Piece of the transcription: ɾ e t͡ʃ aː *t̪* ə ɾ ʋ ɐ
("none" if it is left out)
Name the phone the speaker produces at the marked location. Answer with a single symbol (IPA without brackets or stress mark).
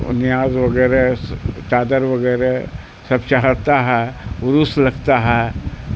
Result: d̪